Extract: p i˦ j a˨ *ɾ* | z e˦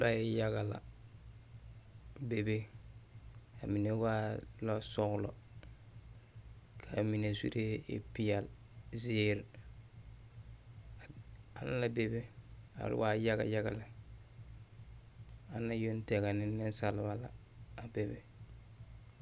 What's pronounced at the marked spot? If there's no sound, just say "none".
l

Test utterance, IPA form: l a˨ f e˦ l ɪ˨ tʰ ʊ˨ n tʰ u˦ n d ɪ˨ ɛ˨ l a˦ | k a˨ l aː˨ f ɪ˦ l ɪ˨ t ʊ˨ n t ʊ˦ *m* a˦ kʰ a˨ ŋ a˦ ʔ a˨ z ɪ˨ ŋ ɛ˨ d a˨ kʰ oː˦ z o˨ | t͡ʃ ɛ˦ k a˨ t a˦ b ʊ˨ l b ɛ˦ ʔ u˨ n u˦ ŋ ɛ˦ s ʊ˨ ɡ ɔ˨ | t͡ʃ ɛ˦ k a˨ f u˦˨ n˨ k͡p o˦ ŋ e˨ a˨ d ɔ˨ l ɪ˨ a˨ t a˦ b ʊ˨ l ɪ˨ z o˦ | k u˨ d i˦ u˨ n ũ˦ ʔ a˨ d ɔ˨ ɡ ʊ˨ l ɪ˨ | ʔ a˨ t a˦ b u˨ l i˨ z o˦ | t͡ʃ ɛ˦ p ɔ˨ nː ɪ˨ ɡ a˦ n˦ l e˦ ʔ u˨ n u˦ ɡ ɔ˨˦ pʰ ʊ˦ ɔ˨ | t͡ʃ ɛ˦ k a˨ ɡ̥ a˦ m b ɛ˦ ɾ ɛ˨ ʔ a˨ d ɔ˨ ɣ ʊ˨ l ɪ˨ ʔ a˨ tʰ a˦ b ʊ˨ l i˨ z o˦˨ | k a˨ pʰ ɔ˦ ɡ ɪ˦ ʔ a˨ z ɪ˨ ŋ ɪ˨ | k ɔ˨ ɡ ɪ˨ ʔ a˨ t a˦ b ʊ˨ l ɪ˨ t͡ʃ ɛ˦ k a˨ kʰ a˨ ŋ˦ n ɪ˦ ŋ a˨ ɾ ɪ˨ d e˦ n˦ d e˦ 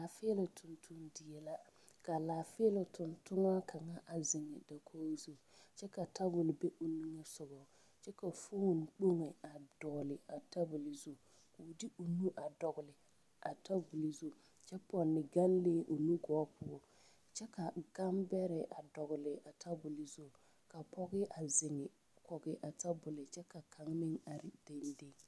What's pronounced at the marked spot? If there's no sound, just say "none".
ŋ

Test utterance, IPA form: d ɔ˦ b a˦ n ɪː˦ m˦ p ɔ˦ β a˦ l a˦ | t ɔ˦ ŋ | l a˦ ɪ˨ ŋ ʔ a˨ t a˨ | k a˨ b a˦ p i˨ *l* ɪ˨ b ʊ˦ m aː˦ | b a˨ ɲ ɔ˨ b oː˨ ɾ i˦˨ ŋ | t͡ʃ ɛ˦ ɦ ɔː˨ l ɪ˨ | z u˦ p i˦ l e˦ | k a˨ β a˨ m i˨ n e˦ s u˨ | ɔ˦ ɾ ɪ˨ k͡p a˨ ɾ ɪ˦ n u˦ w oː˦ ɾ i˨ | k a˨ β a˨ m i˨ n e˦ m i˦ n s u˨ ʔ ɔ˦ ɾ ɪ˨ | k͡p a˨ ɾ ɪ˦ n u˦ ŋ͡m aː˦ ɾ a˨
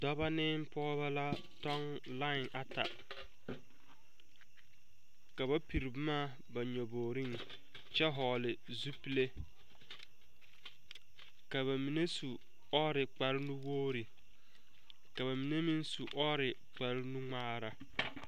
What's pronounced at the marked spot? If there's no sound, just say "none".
ɾ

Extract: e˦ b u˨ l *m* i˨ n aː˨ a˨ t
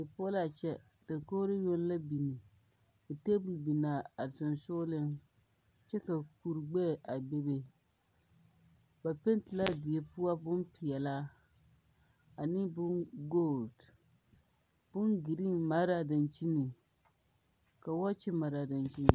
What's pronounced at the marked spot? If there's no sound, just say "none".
b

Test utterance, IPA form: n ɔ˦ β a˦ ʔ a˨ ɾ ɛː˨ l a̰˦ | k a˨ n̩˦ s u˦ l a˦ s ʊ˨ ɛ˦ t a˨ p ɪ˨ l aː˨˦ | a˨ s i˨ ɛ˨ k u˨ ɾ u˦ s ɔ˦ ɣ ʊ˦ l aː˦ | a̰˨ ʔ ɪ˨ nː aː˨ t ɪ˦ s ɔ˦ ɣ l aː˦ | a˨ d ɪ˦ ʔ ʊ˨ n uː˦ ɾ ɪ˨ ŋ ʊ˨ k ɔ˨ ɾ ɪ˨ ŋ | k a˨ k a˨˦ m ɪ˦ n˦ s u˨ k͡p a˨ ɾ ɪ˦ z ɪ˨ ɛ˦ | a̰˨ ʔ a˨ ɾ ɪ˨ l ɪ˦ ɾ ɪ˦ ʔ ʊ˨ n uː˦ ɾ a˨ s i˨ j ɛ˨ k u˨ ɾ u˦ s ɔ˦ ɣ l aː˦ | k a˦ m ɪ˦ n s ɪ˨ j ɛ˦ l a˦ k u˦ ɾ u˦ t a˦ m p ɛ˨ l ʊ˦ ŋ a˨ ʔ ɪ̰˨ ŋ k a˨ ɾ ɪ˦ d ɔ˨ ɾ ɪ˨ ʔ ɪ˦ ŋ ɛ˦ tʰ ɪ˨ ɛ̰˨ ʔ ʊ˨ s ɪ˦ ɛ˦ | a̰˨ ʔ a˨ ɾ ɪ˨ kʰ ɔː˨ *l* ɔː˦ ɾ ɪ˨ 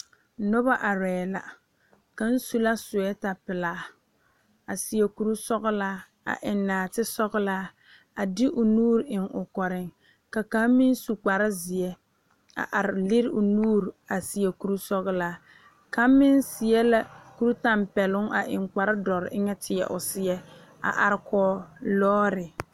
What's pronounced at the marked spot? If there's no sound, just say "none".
l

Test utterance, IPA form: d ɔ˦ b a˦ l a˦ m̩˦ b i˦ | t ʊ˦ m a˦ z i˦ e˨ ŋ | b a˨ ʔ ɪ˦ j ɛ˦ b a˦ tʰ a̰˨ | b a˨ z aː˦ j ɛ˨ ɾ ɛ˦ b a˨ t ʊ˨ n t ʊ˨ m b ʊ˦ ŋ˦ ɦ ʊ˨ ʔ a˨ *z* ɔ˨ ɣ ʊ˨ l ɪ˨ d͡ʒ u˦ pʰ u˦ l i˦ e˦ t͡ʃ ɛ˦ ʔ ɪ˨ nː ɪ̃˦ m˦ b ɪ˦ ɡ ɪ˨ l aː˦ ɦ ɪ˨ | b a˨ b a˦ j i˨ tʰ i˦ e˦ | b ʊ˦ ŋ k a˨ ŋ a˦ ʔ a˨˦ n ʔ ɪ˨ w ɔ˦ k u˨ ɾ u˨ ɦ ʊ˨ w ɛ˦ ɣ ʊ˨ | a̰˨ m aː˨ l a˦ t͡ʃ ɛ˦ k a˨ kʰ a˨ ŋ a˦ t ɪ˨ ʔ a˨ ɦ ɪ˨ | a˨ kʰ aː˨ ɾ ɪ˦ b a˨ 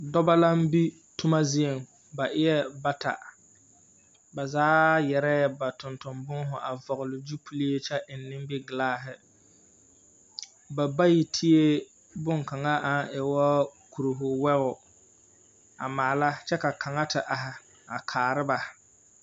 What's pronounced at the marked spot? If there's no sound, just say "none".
v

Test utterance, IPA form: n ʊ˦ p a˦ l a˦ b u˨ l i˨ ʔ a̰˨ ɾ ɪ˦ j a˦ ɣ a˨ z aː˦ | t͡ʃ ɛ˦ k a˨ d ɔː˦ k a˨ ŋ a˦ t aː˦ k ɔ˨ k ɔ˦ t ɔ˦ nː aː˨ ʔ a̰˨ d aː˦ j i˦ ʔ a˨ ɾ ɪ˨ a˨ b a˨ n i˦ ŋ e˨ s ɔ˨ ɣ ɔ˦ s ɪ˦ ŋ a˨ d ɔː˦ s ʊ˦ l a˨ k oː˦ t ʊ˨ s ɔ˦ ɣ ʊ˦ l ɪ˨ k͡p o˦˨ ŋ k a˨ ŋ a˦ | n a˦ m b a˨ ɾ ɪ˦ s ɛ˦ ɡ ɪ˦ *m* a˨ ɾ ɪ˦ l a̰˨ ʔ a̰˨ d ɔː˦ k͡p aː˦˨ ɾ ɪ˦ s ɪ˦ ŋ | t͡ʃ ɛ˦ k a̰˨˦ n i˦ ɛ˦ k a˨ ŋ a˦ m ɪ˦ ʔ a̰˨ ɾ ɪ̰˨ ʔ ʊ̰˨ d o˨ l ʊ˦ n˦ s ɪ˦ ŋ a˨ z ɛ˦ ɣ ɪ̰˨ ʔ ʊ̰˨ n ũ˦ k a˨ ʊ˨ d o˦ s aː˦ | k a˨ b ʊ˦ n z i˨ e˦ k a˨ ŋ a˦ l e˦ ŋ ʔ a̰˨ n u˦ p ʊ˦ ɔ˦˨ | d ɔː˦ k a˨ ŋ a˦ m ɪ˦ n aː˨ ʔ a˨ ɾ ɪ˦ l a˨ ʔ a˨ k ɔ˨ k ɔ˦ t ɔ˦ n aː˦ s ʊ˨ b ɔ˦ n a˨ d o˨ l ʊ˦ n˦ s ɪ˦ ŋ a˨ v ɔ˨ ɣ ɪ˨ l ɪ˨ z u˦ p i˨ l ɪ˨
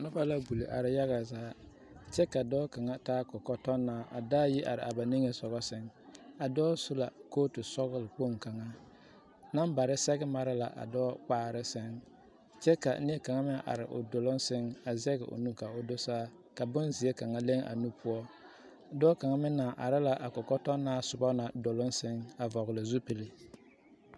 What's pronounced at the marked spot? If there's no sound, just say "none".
m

